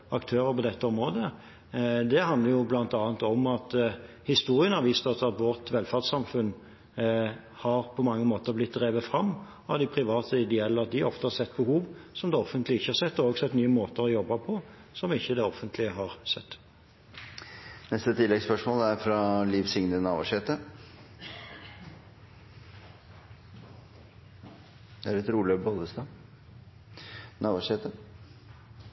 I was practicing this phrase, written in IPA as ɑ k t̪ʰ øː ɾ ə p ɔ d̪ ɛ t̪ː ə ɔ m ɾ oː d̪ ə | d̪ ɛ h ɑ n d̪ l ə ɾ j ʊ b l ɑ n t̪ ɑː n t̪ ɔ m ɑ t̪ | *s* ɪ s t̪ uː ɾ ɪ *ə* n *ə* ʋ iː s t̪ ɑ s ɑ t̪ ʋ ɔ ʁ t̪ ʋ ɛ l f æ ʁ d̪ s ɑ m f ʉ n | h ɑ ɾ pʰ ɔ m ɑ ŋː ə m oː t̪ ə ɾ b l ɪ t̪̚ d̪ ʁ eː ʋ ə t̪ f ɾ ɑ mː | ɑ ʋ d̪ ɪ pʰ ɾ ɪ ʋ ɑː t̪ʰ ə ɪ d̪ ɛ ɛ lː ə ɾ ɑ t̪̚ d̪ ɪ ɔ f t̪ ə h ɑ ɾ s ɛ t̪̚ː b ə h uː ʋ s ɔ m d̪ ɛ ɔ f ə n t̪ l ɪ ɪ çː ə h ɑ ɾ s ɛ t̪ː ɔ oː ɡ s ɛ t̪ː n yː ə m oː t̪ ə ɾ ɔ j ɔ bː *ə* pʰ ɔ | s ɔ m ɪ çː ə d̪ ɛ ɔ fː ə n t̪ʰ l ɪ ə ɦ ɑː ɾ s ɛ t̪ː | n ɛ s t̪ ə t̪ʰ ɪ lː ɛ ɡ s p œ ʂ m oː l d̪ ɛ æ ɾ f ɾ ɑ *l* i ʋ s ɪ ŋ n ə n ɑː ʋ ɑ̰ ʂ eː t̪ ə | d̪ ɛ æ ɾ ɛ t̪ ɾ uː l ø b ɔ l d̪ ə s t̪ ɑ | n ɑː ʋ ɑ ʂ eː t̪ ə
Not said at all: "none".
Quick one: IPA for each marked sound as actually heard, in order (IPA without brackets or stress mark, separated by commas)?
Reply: h, ə, ɑ, ɑ, l